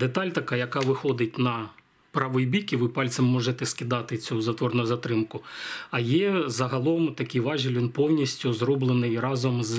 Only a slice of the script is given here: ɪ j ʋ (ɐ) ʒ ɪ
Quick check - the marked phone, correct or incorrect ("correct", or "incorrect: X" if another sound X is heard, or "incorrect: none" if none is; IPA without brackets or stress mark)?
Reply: incorrect: ɑ